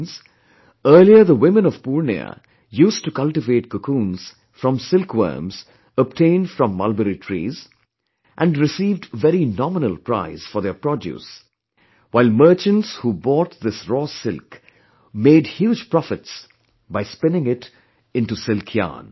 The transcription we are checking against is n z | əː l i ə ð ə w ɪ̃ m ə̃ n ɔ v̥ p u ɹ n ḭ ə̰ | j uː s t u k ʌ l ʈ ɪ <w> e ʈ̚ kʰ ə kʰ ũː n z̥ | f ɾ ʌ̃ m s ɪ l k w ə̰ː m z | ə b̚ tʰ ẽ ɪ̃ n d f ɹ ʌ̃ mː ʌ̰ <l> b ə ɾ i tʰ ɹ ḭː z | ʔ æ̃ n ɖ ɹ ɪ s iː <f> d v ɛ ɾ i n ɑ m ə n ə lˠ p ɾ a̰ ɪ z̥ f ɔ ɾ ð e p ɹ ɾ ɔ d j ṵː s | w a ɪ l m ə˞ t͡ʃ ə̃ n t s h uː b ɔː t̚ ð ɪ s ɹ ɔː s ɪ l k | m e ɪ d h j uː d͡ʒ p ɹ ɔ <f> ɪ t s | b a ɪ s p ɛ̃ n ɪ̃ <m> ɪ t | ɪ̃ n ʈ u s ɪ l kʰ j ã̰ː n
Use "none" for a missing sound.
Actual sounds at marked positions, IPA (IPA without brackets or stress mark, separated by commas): v, l, v, f, ŋ